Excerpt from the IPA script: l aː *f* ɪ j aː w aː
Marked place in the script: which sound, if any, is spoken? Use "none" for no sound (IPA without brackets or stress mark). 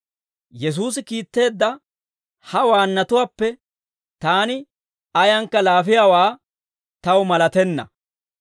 f